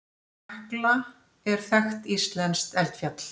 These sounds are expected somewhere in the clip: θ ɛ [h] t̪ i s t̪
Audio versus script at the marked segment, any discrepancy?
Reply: yes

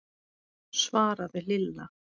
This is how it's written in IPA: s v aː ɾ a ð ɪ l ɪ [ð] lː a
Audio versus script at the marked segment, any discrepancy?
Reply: yes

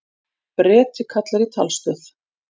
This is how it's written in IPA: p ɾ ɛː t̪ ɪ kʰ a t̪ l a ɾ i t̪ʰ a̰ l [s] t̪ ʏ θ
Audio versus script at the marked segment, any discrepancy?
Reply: no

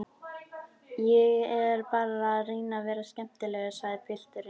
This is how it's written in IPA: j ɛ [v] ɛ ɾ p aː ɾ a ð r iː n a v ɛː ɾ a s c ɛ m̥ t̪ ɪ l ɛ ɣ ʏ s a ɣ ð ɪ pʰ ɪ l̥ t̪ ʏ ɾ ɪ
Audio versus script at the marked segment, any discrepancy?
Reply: yes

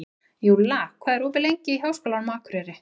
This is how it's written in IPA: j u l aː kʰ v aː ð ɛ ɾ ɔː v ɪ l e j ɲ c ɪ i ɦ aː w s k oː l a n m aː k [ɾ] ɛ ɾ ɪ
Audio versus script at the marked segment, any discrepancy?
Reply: no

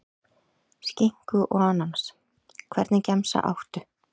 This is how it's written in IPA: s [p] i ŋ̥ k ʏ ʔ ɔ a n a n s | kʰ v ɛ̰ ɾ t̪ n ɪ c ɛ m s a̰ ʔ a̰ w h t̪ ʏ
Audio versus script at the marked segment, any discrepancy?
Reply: yes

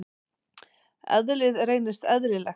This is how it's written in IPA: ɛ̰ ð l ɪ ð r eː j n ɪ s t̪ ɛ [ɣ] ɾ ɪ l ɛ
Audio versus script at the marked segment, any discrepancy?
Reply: yes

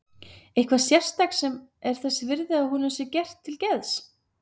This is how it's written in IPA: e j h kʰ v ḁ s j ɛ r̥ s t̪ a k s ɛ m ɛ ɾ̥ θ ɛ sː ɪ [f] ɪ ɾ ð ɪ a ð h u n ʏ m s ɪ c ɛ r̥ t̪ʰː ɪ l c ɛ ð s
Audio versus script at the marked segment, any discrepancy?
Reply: yes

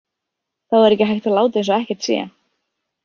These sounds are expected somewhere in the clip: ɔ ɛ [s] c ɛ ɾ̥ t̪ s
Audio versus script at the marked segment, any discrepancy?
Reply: yes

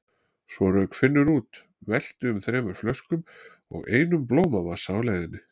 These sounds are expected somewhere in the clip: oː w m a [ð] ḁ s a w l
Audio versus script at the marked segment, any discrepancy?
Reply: yes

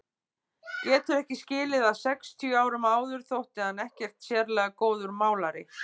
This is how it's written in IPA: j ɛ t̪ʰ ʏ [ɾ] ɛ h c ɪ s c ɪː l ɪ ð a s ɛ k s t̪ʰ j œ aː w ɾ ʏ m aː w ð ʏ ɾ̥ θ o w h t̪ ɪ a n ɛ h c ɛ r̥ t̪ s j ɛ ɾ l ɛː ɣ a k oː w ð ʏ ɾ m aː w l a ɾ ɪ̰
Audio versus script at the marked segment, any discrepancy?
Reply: no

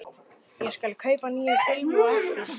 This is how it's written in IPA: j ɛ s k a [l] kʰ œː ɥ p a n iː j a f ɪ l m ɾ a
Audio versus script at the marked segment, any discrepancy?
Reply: no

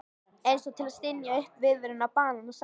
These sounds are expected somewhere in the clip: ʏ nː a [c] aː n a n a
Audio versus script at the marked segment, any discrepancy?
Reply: yes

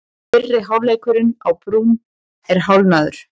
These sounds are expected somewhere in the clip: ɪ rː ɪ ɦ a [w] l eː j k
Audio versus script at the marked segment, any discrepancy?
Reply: no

